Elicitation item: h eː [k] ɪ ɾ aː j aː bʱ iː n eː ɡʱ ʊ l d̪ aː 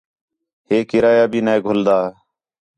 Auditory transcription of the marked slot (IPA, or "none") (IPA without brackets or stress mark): k